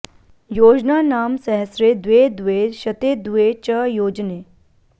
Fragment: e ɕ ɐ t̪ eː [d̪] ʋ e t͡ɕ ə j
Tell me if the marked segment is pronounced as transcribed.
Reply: yes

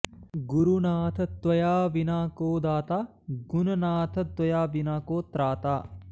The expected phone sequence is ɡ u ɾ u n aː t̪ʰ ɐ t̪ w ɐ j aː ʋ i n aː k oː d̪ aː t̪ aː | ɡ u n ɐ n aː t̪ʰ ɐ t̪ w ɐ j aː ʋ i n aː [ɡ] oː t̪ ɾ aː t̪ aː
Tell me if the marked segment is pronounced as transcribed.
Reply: no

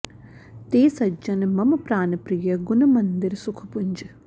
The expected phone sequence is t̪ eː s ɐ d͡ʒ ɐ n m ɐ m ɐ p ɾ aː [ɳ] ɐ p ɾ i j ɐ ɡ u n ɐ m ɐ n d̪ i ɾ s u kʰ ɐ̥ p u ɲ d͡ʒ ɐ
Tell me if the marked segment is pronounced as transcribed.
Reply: no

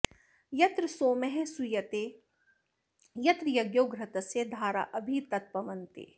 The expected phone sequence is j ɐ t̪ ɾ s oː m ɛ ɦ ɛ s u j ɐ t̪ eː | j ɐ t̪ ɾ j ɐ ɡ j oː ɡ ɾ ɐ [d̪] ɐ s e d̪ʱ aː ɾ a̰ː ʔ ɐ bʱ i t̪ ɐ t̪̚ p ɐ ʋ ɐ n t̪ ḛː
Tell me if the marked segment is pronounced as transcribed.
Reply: no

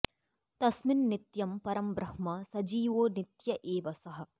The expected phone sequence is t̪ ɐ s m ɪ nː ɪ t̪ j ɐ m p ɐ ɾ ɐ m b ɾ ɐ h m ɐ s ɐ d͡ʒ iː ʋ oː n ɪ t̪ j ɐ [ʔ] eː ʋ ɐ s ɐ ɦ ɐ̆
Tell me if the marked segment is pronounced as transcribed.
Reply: yes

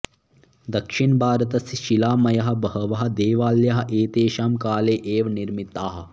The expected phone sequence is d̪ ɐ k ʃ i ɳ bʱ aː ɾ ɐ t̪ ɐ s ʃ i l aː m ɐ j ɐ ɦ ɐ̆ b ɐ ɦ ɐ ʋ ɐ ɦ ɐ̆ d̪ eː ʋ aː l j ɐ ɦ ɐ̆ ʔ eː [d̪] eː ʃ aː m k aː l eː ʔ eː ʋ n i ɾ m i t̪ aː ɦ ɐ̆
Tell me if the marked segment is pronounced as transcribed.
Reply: no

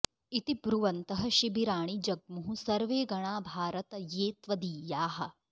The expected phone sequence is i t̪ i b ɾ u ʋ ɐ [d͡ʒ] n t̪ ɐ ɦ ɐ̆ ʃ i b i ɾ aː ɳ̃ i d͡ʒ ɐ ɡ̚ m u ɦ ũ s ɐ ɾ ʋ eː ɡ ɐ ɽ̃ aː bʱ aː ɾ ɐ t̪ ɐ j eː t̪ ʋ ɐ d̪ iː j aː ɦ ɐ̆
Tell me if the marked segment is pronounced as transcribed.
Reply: no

